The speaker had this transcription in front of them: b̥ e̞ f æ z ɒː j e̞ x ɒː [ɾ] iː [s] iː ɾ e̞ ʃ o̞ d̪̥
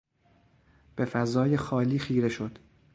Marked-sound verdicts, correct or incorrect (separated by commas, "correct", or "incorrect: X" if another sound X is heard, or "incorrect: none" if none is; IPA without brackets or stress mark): incorrect: l, incorrect: x